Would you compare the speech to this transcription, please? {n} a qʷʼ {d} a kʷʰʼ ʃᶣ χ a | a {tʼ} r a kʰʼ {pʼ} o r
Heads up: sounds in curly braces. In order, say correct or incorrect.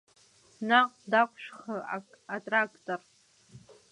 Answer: correct, correct, correct, incorrect

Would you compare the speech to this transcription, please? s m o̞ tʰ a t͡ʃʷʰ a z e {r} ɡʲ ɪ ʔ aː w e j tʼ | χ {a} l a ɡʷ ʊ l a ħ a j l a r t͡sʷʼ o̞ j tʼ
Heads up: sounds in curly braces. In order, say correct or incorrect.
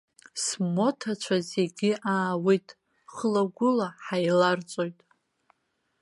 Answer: incorrect, incorrect

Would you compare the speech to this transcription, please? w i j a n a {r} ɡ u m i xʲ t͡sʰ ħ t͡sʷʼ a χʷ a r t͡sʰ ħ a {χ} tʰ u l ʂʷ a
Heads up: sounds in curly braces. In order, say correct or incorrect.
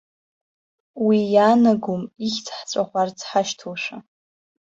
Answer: incorrect, incorrect

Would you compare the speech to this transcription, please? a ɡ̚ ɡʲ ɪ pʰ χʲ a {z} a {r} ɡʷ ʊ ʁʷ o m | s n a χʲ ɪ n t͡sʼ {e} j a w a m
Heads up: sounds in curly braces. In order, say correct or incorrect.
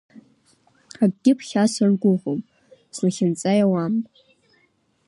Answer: incorrect, correct, incorrect

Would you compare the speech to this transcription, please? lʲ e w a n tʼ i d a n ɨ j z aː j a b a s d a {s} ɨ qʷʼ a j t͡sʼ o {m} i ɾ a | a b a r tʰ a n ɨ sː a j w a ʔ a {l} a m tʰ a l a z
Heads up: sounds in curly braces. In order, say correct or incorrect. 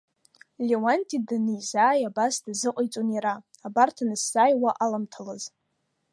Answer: incorrect, incorrect, correct

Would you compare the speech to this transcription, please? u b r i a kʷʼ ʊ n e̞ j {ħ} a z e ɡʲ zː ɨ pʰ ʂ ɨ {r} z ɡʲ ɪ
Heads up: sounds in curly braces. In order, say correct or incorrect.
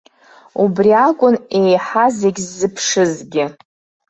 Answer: correct, incorrect

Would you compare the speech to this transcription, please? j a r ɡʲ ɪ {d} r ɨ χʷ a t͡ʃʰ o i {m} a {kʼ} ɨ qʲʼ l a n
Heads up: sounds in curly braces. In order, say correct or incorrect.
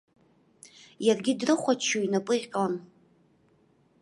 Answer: correct, incorrect, incorrect

